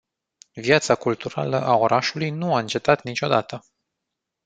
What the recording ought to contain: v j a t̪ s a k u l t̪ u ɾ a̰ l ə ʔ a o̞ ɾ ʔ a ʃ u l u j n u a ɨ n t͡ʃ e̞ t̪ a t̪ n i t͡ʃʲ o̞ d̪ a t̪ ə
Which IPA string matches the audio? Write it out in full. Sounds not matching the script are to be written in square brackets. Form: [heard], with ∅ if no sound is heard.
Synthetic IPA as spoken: v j a t̪ s a k u l t̪ u ɾ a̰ l ə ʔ a o̞ ɾ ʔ a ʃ u l u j n u a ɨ n t͡ʃ e̞ t̪ a t̪ n i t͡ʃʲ o̞ d̪ a t̪ ə